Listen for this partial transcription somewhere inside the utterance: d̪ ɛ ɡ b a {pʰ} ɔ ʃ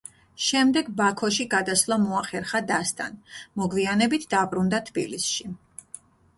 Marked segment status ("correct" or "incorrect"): incorrect